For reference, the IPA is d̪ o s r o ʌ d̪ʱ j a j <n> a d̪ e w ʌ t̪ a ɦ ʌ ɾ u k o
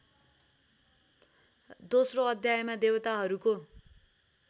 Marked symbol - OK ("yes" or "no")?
no